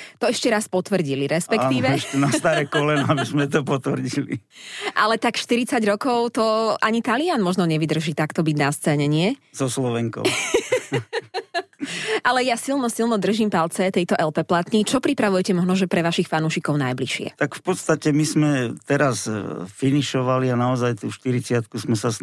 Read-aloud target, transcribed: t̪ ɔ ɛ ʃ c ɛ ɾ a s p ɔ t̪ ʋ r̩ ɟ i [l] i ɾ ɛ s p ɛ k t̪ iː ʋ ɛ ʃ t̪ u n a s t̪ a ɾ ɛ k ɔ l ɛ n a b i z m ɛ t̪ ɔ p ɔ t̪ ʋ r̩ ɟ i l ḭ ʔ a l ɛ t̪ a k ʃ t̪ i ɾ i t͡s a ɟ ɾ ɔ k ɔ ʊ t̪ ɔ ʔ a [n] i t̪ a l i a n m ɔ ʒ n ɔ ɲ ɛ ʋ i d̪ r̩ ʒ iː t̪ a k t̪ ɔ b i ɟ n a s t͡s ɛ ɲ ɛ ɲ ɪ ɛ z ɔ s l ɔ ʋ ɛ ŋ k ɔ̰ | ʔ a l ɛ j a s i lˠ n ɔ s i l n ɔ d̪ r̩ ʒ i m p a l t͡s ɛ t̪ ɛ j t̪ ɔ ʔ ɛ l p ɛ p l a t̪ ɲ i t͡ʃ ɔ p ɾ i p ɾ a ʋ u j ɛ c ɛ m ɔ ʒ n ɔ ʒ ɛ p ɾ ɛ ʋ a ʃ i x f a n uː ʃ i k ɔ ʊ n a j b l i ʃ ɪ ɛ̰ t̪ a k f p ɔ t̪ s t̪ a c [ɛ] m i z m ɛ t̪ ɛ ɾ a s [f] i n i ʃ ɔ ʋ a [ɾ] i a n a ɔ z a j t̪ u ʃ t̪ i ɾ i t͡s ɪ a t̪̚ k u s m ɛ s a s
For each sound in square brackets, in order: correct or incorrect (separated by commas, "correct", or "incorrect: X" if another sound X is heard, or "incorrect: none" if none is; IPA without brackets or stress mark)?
correct, incorrect: ɲ, correct, correct, incorrect: l